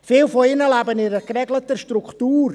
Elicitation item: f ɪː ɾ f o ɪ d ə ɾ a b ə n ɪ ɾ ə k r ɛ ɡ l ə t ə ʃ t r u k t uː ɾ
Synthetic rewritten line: f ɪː l f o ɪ n ə l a b ə n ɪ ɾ ə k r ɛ ɡ l ə t ə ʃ t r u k t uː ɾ